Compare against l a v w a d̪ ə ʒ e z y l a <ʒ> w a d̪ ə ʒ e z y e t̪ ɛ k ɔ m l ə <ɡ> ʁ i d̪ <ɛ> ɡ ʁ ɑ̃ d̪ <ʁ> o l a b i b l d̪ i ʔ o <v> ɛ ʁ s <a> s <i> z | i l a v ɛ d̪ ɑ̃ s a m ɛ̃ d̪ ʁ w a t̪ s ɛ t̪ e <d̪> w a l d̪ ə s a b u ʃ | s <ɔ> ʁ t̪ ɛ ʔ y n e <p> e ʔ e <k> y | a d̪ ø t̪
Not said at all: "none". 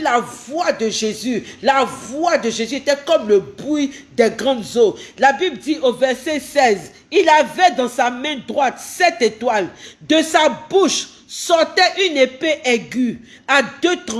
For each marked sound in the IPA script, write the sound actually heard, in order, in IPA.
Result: v, b, ɛ, z, v, ɛ, ɛ, t̪, ɔ, p, ɡ

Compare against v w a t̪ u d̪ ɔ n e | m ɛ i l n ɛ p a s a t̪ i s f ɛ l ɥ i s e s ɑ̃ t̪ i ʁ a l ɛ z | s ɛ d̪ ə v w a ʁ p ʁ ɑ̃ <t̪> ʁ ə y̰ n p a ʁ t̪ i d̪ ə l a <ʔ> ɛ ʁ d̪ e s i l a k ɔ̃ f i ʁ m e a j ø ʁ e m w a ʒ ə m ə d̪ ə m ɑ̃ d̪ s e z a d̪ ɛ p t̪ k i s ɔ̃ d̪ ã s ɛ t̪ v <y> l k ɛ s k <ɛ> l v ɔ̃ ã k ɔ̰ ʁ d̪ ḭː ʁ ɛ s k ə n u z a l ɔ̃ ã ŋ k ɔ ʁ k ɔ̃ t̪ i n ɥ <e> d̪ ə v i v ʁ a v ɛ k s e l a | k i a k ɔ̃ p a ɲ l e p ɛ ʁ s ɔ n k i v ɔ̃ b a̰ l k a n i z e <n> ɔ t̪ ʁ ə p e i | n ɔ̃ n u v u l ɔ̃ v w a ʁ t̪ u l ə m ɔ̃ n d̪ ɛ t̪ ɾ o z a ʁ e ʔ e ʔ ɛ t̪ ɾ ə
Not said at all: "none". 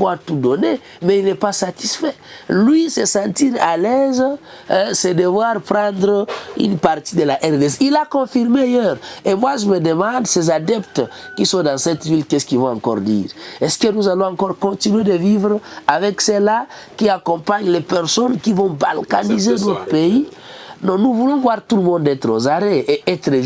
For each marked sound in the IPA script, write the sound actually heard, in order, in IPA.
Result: d̪, ʔ, i, i, e, n

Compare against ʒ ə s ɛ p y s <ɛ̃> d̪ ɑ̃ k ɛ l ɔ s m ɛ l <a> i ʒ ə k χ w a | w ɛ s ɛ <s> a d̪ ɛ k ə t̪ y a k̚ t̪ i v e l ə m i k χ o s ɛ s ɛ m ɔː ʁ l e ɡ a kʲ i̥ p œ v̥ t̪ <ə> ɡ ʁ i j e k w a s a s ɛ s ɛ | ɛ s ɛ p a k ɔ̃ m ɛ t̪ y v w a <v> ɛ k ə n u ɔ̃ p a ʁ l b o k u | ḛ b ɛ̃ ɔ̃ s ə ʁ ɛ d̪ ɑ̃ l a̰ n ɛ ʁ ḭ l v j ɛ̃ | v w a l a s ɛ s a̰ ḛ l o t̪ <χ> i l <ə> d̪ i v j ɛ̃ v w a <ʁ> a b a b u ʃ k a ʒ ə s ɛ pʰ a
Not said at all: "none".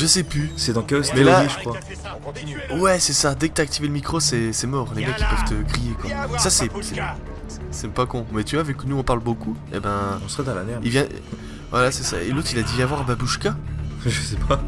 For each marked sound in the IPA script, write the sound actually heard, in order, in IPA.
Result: ɛ, a, s, ə, v, χ, a, ʁ

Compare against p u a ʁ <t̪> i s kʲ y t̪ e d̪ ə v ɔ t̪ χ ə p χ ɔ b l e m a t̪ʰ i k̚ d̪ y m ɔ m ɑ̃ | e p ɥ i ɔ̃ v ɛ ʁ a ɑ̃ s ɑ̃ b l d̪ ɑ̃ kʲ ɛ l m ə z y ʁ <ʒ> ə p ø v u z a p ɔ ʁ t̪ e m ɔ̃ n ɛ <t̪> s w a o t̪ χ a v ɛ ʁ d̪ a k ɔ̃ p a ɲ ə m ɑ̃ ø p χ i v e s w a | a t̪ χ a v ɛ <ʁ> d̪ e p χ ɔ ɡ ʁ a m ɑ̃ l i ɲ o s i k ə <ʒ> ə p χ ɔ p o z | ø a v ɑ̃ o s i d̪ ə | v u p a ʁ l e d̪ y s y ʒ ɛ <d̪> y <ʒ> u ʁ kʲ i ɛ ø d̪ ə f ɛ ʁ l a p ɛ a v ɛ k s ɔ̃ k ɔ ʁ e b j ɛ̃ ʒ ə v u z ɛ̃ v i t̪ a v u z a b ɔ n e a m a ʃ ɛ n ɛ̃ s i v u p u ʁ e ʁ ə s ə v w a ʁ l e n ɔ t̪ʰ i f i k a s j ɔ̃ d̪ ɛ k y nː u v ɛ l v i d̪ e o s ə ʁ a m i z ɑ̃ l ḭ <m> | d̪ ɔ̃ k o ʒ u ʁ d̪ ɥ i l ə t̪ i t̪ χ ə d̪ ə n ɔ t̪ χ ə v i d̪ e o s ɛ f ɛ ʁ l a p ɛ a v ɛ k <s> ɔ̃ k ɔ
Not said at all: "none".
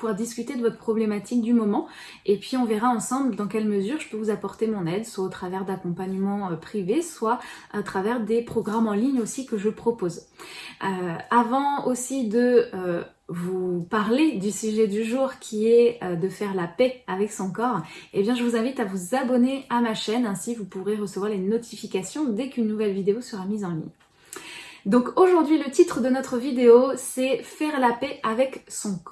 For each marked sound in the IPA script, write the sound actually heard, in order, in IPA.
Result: d̪, ʒ, d̪, ʁ, ʒ, d̪, ʒ, ɲ, s

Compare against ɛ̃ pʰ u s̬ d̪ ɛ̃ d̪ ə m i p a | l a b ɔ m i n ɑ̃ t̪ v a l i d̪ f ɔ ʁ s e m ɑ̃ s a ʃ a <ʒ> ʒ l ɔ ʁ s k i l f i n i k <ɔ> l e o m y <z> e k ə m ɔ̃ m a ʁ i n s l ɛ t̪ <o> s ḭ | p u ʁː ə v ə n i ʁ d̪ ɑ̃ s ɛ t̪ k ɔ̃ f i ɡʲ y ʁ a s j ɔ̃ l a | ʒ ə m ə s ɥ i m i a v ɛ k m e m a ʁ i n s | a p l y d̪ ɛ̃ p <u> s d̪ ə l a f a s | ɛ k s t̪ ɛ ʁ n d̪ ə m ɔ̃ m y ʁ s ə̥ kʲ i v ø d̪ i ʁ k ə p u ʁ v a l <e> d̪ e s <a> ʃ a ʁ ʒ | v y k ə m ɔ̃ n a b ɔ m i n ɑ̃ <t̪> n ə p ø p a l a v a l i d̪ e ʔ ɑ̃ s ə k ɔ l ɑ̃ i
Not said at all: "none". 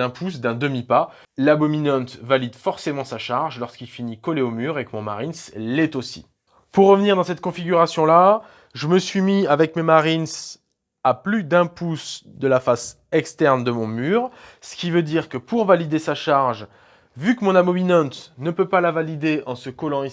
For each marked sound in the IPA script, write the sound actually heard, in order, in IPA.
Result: ʁ, ɔ, ʁ, o, u, i, a, t̪

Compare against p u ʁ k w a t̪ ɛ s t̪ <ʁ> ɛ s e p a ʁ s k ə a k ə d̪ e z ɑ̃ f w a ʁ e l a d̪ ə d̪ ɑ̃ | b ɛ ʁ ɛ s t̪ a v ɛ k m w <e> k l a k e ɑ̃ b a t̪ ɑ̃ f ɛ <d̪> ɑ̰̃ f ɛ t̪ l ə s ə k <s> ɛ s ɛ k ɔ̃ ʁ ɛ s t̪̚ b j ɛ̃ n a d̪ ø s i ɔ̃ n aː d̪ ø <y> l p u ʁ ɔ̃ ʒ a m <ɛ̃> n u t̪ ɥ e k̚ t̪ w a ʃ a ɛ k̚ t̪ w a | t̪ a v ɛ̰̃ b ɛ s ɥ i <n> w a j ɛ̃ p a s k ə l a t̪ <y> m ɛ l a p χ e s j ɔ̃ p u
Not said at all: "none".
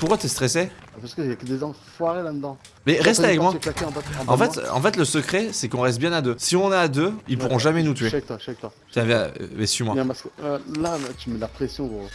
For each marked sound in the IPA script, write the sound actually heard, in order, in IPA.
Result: χ, a, t̪, χ, i, ɛ, m, y

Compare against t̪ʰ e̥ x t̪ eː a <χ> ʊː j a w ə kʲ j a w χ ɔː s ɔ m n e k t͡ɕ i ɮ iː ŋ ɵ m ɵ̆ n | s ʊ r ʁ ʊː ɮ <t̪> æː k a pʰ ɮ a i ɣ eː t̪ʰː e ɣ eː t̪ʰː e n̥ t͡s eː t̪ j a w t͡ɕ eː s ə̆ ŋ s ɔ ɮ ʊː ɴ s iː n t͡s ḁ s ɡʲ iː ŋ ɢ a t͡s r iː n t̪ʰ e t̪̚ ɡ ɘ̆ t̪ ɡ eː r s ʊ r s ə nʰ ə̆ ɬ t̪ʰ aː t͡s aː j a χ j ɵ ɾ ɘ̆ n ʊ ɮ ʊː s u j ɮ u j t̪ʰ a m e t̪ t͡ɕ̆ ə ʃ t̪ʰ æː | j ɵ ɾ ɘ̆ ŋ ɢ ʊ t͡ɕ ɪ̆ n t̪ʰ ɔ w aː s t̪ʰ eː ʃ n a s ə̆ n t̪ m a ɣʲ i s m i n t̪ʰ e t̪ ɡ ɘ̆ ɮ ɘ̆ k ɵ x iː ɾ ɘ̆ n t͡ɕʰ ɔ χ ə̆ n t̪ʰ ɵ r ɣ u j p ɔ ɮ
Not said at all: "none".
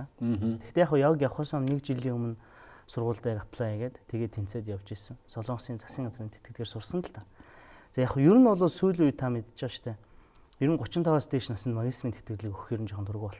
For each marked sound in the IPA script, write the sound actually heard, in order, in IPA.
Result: χ, t̪

